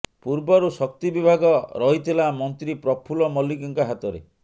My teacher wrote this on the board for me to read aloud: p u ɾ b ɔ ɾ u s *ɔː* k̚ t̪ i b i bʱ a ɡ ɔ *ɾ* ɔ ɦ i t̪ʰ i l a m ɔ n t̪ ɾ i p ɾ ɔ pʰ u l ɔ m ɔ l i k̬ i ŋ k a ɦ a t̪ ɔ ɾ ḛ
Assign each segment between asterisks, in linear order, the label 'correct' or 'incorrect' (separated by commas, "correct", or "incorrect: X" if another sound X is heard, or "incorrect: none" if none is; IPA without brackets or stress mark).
incorrect: ɔ, correct